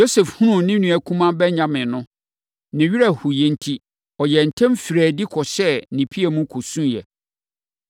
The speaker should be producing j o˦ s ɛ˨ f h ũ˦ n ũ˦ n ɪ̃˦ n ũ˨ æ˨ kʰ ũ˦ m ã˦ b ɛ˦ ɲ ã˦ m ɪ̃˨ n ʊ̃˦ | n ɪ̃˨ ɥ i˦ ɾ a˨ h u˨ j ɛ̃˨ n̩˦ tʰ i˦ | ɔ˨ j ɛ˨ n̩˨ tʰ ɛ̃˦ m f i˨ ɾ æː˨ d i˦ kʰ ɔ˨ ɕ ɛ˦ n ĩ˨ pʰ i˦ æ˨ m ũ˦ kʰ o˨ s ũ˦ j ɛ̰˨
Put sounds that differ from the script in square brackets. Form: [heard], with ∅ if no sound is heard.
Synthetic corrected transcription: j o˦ s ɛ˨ f h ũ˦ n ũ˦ n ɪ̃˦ n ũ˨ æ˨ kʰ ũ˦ m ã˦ b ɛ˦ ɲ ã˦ m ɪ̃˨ n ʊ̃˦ | n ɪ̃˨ ɥ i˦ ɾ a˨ h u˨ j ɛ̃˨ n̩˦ tʰ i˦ | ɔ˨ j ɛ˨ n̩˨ tʰ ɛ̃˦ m f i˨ ɾ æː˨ d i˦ kʰ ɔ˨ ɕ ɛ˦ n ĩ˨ pʰ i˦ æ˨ m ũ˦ kʰ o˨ s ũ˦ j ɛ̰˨

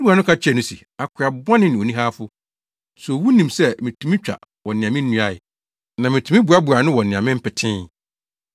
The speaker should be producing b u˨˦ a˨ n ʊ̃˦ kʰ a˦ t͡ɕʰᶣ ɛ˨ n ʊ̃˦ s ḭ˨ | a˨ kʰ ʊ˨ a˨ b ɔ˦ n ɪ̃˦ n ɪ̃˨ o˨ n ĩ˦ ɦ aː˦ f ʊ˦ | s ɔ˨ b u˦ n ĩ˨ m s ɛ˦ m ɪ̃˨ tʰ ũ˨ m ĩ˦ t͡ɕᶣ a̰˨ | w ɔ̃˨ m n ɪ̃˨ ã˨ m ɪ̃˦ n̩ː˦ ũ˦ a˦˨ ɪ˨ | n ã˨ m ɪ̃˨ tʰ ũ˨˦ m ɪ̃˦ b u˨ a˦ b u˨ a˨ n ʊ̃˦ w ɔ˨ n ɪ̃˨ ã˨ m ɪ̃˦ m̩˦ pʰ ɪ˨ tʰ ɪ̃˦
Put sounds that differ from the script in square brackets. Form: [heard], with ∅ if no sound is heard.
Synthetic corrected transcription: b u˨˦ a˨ n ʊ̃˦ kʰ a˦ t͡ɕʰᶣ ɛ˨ n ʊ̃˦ s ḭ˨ | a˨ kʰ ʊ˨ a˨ b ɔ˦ n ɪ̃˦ n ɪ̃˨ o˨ n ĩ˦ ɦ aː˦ f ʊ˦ | s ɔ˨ [w] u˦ n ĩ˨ m s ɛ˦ m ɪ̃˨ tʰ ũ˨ m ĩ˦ t͡ɕᶣ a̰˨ | w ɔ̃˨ [∅] n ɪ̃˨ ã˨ m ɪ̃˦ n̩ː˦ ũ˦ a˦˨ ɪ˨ | n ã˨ m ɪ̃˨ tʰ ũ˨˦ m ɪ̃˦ b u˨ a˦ b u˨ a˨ n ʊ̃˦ w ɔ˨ n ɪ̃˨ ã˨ m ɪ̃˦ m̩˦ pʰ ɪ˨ tʰ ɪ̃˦

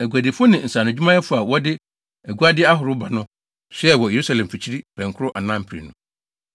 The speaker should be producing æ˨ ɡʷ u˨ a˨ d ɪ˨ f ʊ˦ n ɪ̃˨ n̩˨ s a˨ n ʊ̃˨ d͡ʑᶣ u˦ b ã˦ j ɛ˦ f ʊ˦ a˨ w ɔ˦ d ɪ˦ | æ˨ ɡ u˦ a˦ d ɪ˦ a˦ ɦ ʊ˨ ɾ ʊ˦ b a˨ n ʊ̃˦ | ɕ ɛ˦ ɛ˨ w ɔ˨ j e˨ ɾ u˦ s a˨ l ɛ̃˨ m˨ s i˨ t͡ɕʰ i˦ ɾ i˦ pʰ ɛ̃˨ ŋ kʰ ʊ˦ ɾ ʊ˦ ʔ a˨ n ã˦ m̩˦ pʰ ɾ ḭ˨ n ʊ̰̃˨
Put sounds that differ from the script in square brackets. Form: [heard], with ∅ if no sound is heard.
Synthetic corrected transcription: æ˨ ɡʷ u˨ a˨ d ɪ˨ f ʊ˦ n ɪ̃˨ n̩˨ s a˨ n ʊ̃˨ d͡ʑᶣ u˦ [m] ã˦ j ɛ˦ f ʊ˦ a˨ w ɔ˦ d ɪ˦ | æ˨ ɡ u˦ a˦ d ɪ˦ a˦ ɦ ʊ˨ ɾ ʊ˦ b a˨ n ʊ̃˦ | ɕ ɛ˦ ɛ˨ w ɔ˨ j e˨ ɾ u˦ s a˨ l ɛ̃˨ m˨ [f] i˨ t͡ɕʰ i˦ ɾ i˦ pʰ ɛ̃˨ ŋ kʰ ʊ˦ ɾ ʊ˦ ʔ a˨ n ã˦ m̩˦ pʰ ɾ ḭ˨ n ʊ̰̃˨

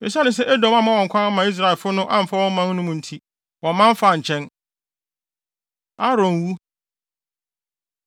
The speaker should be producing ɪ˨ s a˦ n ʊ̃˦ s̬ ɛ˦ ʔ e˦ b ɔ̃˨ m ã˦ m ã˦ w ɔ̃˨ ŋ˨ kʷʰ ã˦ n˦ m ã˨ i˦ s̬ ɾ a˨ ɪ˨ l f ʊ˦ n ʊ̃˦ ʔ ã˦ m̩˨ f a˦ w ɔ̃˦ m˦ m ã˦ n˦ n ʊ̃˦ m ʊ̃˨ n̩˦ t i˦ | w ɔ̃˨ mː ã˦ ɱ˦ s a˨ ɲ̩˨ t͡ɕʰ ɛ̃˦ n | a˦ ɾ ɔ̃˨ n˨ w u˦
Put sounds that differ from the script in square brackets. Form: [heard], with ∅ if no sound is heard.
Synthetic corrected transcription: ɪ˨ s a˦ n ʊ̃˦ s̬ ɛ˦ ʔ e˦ [d] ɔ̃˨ m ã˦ m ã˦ w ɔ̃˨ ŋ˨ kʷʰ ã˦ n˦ m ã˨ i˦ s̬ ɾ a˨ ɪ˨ l f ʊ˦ n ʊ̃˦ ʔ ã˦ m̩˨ f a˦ w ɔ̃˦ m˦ m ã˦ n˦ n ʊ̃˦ m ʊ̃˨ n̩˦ [tʰ] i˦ | w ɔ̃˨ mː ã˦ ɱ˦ [f] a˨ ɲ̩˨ t͡ɕʰ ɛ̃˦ n | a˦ ɾ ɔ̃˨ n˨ w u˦

